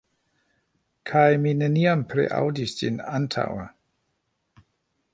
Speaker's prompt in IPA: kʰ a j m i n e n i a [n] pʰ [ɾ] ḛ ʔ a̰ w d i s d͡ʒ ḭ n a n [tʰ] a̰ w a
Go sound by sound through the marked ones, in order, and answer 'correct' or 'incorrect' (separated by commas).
incorrect, correct, correct